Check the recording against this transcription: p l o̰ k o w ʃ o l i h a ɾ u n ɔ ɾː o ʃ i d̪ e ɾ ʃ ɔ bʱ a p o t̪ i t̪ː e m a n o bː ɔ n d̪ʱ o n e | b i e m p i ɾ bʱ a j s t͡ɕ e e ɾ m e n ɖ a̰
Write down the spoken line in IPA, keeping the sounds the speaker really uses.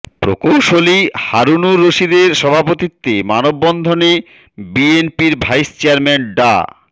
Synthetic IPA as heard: p ɾ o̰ k o w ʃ o l i h a ɾ u n u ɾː o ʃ i d̪ e ɾ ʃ ɔ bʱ a p o t̪ i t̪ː e m a n o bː ɔ n d̪ʱ o n e | b i e n p i ɾ bʱ a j s t͡ɕ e a ɾ m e n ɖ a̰